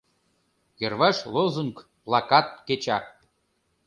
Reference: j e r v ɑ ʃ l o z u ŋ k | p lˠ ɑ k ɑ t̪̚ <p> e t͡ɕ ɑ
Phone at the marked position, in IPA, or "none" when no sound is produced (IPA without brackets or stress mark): k